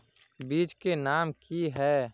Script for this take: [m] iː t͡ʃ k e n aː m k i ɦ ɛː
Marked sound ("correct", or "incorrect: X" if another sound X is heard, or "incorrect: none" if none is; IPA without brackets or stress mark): incorrect: b